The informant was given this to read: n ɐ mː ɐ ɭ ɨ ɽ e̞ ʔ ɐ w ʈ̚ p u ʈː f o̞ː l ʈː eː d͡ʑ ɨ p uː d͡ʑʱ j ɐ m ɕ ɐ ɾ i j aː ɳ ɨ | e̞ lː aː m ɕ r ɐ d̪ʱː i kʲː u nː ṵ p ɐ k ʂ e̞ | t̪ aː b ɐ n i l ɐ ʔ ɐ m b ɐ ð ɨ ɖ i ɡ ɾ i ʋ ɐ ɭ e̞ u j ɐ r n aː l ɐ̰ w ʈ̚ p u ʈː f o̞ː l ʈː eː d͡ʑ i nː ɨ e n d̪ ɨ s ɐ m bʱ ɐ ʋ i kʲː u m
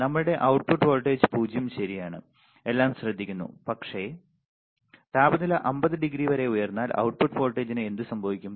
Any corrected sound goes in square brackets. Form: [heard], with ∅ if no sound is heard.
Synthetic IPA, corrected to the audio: n ɐ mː ɐ ɭ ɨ ɽ e̞ ʔ ɐ w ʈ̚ p u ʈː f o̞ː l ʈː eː d͡ʑ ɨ p uː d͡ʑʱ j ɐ m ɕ ɐ ɾ i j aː ɳ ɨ | e̞ lː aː m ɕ r ɐ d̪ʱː i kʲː u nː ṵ p ɐ k ʂ e̞ | t̪ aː b ɐ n i l ɐ ʔ ɐ m b ɐ ð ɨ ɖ i ɡ ɾ i ʋ ɐ [ɾ] e̞ u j ɐ r [nː] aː l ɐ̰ w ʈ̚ p u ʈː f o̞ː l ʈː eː d͡ʑ i [n] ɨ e n d̪ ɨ s ɐ m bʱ ɐ ʋ i kʲː u m